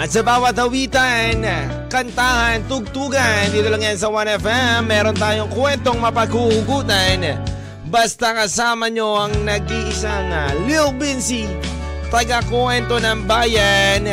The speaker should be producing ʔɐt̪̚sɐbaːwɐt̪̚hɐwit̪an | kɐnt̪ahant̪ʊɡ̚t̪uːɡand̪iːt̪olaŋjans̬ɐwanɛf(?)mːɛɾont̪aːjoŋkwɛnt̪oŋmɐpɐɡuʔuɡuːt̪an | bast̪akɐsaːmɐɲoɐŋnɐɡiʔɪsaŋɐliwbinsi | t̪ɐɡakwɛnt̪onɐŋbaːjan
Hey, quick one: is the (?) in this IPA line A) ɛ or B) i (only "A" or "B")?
A